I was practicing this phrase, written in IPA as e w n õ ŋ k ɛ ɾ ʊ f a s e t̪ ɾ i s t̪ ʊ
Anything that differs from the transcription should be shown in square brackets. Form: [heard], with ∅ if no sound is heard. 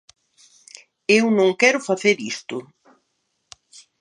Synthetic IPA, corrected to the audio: e w n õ ŋ k ɛ ɾ ʊ f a [θ] e [∅] ɾ i s t̪ ʊ